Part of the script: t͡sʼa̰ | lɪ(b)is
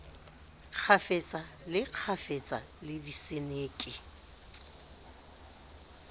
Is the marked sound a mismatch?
yes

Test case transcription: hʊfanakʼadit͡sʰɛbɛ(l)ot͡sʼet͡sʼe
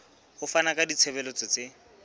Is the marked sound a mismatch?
no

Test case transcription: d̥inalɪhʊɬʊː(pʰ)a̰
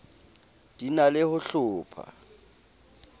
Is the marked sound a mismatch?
no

